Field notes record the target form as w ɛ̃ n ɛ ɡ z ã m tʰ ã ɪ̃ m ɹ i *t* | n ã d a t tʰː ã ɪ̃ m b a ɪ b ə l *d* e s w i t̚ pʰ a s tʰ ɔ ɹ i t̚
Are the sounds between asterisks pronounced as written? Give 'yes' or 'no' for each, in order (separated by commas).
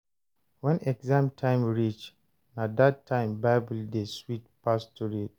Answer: no, yes